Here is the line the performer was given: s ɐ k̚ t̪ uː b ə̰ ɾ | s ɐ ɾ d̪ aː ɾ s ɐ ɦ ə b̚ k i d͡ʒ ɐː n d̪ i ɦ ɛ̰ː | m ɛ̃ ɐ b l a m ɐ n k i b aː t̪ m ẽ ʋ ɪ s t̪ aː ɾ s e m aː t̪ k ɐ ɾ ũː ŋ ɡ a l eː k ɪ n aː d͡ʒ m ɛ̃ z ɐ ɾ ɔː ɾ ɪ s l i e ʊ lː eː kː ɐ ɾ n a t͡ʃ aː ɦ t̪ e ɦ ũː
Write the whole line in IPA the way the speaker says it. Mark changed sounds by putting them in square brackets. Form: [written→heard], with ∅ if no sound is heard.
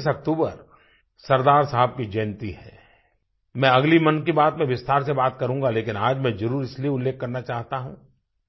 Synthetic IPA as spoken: s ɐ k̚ t̪ uː b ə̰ ɾ | s ɐ ɾ d̪ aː ɾ s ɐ ɦ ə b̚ k i d͡ʒ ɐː n [d̪→t̪] i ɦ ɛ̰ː | m ɛ̃ ɐ [b→ɡ] l [a→i] m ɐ n k i b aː t̪ m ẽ ʋ ɪ s t̪ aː ɾ s e [m→b] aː t̪ k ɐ ɾ ũː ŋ ɡ a l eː k ɪ n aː d͡ʒ m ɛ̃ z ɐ ɾ [ɔː→uː] ɾ ɪ s l i e ʊ lː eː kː ɐ ɾ n a t͡ʃ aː ɦ t̪ [e→a] ɦ ũː